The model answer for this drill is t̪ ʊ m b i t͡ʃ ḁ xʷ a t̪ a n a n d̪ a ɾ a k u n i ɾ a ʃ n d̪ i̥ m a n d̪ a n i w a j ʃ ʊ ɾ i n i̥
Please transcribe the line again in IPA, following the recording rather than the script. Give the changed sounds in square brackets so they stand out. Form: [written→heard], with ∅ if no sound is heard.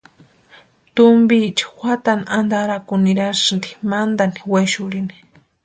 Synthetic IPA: t̪ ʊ m b i t͡ʃ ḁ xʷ a t̪ a n a n d̪ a ɾ a k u n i ɾ a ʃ n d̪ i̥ m a n d̪ a n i w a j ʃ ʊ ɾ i n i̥